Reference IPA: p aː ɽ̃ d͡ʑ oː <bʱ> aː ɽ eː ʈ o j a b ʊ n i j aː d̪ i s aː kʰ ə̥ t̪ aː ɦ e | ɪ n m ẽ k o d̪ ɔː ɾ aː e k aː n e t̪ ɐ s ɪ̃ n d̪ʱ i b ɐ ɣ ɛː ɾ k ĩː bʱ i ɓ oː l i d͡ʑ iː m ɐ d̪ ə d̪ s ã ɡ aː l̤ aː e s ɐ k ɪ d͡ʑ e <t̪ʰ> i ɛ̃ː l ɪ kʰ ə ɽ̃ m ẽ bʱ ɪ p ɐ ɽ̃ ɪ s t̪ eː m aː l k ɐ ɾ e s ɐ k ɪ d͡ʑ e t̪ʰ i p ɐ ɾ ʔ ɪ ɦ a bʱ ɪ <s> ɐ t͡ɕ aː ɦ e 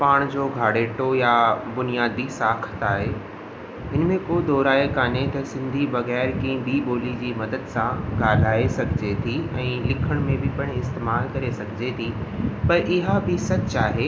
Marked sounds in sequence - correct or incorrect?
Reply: incorrect: ɡʱ, correct, correct

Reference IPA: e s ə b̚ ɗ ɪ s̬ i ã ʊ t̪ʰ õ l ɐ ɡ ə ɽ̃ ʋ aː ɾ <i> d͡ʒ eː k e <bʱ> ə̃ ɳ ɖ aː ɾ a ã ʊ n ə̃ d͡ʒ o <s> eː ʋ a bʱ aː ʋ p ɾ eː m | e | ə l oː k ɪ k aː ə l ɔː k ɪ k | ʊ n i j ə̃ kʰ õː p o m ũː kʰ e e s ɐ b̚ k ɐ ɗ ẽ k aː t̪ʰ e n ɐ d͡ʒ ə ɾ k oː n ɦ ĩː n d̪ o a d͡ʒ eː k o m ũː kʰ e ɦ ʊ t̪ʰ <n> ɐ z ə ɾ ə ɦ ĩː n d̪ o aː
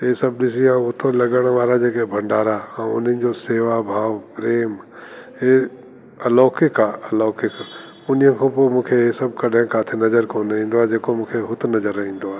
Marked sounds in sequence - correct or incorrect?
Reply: incorrect: a, correct, correct, correct

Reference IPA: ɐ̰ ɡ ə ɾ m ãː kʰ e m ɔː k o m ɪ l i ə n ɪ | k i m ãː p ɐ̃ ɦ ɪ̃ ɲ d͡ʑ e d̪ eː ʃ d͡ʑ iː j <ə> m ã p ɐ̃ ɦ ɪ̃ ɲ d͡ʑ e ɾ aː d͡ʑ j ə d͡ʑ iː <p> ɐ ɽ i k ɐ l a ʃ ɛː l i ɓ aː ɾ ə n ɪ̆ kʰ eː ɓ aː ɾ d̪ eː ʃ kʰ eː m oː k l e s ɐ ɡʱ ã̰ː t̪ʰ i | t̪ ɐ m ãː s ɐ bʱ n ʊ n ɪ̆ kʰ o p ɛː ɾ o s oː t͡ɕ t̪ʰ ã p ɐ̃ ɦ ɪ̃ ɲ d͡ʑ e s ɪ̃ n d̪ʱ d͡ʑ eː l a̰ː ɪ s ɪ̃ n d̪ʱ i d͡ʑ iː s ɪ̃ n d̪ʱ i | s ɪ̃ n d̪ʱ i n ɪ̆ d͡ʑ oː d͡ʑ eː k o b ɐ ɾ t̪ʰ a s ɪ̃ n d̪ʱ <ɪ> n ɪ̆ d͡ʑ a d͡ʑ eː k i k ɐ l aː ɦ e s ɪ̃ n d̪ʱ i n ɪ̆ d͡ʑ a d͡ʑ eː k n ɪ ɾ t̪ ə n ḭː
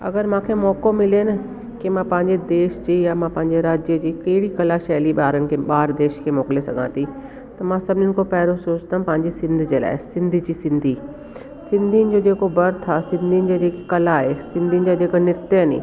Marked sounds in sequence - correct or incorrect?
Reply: incorrect: a, incorrect: k, incorrect: i

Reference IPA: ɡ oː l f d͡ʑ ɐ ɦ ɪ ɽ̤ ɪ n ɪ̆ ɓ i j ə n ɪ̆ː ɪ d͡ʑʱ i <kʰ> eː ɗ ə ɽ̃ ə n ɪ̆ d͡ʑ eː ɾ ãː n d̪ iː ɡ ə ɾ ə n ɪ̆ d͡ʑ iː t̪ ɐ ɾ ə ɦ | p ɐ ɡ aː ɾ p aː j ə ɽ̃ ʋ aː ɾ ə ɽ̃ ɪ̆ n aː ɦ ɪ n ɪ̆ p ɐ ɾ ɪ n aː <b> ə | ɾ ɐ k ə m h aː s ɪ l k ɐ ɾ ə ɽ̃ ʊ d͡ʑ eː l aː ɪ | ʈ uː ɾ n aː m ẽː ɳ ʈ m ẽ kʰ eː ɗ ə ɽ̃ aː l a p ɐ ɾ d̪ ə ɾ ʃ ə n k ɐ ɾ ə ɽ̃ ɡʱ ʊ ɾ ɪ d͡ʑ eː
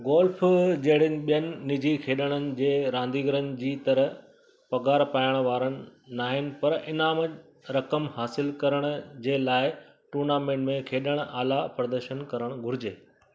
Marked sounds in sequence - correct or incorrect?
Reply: correct, incorrect: m

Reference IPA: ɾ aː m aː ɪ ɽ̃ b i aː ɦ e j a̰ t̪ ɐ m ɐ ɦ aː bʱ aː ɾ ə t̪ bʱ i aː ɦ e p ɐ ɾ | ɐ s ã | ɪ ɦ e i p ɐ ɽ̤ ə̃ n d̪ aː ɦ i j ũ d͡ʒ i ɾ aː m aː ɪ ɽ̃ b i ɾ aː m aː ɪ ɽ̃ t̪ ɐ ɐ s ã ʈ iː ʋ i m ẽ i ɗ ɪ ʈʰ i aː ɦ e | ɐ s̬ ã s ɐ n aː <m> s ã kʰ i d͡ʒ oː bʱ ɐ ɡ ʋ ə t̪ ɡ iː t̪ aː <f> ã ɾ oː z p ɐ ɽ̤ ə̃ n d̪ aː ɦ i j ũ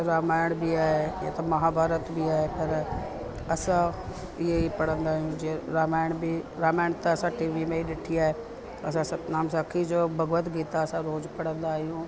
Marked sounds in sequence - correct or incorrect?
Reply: correct, incorrect: s

